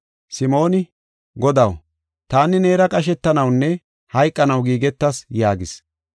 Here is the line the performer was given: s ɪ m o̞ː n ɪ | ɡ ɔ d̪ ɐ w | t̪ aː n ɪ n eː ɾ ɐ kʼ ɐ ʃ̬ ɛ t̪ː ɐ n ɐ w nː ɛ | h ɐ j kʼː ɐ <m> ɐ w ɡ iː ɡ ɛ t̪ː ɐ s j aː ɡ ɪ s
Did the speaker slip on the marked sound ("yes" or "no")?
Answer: yes